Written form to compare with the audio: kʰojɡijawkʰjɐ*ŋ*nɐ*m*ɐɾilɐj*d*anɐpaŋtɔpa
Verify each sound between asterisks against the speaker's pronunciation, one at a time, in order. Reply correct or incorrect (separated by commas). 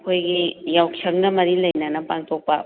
correct, correct, incorrect